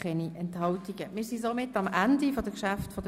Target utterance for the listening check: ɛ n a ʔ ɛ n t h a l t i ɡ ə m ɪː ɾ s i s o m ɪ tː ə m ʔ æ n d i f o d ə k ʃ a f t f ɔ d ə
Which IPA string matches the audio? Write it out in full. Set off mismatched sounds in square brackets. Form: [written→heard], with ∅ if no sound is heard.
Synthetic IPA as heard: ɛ n [a→i] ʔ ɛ n t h [a→ɑ] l t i ɡ ə m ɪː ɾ s i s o m ɪ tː [ə→ɑ] m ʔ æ n d i f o d ə k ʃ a f t f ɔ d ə